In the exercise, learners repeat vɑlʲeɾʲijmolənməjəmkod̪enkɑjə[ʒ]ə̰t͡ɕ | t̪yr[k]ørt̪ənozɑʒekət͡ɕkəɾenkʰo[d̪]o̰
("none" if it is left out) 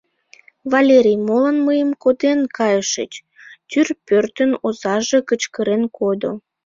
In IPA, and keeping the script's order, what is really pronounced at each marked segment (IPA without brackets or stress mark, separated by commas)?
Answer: ʃ, p, d̪